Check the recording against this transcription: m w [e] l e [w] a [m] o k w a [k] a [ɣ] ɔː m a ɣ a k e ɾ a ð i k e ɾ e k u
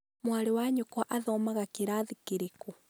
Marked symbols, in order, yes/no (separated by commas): no, yes, no, no, no